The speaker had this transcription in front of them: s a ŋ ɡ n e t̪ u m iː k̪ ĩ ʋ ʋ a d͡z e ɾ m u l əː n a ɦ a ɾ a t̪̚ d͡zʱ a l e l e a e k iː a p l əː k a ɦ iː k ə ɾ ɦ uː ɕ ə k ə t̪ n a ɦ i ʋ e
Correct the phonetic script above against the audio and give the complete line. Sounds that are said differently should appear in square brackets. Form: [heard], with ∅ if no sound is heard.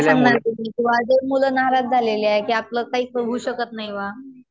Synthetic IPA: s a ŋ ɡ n [a] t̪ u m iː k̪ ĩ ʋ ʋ a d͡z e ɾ m u l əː n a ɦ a ɾ a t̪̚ d͡zʱ a l e l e a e k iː a p l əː k a ɦ iː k ə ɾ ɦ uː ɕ ə k ə t̪ n a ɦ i ʋ [a]